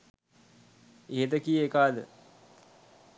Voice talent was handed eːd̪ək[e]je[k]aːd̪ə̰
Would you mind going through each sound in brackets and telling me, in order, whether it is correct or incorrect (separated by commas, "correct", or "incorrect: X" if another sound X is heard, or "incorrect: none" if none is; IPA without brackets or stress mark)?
incorrect: i, correct